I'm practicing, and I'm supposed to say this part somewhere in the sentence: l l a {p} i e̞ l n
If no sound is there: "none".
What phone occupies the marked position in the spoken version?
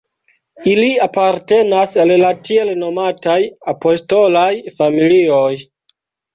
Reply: t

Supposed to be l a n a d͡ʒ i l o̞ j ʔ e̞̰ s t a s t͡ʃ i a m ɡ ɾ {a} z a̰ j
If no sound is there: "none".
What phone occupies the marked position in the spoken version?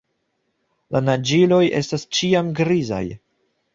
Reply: i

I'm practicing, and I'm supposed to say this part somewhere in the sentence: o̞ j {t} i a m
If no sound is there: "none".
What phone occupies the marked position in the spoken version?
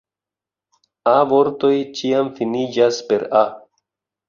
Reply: t͡ʃ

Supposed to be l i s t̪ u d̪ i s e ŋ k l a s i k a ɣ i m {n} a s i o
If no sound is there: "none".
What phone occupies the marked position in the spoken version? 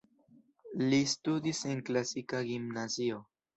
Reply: n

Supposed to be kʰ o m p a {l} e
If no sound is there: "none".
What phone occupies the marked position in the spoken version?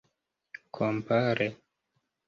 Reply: ɾ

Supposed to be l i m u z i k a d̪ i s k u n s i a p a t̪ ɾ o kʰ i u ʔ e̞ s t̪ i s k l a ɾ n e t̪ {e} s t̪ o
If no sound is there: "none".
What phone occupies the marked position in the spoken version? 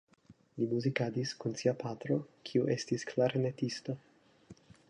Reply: i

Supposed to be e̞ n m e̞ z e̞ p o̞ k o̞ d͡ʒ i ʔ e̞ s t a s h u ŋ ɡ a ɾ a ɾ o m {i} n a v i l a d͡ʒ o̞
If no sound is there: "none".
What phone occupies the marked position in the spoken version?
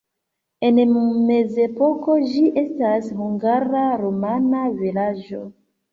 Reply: a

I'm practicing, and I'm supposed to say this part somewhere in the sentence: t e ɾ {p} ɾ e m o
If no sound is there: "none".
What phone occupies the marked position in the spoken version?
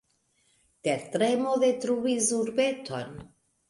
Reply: t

